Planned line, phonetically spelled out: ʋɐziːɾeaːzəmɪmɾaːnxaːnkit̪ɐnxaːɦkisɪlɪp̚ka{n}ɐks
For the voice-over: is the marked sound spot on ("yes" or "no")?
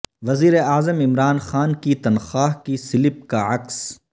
no